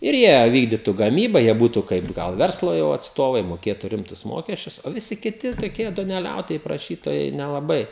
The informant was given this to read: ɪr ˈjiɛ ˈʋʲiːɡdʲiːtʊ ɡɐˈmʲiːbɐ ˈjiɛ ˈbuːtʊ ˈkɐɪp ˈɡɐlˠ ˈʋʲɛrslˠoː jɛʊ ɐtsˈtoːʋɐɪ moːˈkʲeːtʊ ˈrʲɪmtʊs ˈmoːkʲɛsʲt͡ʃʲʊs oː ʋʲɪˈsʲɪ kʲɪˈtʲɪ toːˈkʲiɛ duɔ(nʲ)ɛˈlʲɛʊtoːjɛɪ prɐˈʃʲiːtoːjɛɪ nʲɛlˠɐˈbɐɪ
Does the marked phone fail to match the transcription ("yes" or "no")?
no